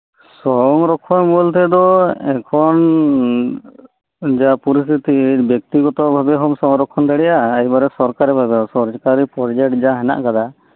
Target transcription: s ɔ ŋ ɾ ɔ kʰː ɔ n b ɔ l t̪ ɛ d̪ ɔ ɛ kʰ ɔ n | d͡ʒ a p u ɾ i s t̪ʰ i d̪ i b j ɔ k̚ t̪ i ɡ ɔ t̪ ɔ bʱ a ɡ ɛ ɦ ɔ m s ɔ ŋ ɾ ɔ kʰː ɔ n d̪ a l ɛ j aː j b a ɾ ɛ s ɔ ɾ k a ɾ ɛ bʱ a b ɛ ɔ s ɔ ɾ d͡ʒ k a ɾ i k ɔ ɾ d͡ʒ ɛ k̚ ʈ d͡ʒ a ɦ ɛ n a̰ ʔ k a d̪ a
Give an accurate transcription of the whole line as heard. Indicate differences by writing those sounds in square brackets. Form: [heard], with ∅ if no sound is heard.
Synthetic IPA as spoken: s ɔ ŋ ɾ ɔ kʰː ɔ n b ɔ l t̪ ɛ d̪ ɔ ɛ kʰ ɔ n | d͡ʒ a p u ɾ i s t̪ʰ i [t̪] i b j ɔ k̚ t̪ i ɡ ɔ t̪ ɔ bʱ a [b] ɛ ɦ ɔ m s ɔ ŋ ɾ ɔ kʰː ɔ n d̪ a [ɽ] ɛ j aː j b a ɾ ɛ s ɔ ɾ k a ɾ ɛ bʱ a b ɛ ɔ s ɔ ɾ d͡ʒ k a ɾ i [p] ɔ ɾ d͡ʒ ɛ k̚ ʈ d͡ʒ a ɦ ɛ n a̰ ʔ k a d̪ a